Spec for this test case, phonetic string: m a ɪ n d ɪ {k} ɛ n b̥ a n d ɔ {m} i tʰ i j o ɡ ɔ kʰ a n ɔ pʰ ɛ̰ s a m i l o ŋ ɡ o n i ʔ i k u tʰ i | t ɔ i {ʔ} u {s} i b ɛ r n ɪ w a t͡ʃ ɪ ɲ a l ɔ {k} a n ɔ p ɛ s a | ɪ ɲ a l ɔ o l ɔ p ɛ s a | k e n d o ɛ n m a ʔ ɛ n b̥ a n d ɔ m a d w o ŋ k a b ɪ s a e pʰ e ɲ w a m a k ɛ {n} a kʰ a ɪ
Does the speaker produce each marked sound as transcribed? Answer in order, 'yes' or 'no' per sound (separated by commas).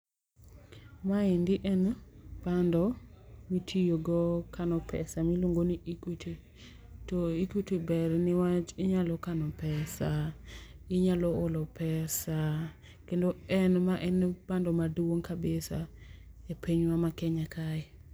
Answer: no, yes, no, no, yes, no